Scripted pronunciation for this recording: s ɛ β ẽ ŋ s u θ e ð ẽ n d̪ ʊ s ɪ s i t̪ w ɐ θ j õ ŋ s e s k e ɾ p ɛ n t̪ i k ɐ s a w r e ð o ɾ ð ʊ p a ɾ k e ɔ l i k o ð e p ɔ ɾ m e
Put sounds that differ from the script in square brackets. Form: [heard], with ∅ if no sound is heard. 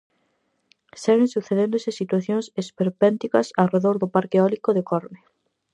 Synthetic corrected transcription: s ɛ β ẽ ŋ s u θ e ð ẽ n d̪ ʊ s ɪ s i t̪ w [a] θ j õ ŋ s e s [p] e ɾ p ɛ n t̪ i k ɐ s a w r e ð o ɾ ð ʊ p a ɾ k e ɔ l i k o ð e [k] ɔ ɾ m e